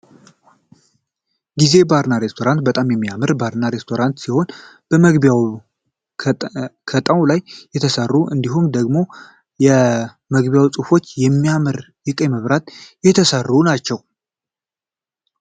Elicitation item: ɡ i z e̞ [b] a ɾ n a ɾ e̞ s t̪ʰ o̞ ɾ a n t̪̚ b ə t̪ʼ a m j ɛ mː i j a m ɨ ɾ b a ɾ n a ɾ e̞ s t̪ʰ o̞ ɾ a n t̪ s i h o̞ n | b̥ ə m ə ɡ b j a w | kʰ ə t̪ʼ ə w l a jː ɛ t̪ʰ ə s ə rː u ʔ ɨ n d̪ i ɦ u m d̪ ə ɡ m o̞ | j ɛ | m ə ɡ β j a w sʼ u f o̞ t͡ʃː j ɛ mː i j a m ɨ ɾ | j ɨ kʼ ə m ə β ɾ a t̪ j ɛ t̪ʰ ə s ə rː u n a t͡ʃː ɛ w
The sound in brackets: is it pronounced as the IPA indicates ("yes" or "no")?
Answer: yes